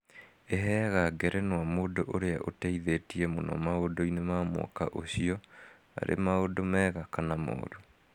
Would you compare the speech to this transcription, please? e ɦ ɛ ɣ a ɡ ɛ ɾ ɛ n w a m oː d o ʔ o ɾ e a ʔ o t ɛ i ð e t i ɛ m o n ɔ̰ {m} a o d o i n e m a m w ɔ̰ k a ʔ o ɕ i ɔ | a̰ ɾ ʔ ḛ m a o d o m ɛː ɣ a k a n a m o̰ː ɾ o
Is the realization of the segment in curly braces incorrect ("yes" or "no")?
no